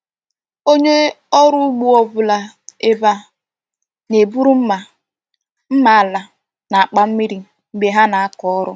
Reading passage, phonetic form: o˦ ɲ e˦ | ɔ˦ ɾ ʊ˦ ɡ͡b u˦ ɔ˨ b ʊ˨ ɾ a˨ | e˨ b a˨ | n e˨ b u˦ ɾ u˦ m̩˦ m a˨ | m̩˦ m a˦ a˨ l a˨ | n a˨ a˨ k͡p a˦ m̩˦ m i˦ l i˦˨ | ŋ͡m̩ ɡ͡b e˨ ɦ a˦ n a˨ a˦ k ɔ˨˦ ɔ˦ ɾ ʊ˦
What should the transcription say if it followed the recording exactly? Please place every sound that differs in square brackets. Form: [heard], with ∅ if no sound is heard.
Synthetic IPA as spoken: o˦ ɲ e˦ | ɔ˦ ɾ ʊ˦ ɡ͡b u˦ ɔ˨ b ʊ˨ [l] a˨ | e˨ b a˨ | n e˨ b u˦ ɾ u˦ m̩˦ m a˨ | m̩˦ m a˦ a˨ l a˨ | n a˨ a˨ k͡p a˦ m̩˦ m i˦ [ɾ] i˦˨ | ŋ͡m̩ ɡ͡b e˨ ɦ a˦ n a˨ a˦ k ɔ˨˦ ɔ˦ ɾ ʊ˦